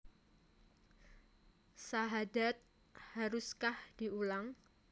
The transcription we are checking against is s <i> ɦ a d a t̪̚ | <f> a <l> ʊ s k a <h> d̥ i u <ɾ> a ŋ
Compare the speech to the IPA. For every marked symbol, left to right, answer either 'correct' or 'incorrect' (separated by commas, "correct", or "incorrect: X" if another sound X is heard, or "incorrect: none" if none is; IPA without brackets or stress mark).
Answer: incorrect: a, incorrect: h, incorrect: ɾ, correct, incorrect: l